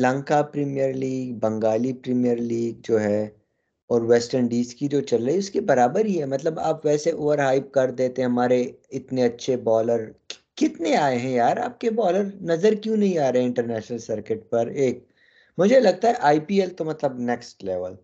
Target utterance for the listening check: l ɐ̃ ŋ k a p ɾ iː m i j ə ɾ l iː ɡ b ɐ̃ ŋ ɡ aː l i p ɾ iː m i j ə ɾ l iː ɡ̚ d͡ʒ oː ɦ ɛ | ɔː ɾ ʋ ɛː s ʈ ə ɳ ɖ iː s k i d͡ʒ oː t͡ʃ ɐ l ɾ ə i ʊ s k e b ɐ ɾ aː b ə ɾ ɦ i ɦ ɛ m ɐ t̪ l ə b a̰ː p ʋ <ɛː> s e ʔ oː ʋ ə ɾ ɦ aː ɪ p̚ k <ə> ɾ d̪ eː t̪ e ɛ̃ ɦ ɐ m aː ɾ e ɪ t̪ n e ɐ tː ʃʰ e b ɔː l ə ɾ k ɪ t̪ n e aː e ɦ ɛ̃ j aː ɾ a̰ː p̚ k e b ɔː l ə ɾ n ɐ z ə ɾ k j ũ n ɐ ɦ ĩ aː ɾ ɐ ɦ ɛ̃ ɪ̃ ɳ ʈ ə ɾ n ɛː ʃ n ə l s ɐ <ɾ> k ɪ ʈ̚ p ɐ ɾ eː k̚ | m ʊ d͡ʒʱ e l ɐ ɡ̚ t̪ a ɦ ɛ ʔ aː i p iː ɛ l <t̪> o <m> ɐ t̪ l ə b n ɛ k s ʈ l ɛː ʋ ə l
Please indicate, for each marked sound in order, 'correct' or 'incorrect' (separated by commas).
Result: correct, incorrect, correct, correct, correct